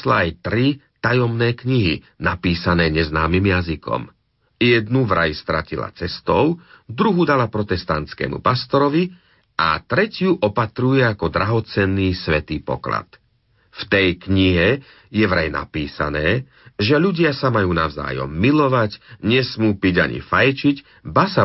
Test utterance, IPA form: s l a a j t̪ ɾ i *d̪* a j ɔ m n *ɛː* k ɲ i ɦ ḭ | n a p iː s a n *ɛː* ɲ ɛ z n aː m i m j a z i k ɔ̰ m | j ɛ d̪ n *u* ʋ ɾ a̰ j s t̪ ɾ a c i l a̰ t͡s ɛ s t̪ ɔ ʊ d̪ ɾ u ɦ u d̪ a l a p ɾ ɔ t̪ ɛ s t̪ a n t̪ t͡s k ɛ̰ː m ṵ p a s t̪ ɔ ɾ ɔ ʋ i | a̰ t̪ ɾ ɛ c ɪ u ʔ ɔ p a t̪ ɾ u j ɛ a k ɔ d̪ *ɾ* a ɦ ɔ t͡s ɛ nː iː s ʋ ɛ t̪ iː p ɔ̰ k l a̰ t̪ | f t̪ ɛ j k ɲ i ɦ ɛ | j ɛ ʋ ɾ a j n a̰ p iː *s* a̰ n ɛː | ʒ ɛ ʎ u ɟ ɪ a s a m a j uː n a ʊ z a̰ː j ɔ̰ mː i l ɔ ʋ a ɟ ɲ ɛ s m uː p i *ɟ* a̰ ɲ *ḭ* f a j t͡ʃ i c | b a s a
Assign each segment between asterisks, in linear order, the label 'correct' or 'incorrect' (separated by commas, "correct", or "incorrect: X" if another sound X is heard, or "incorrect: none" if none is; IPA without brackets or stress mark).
incorrect: t̪, correct, correct, correct, correct, correct, correct, correct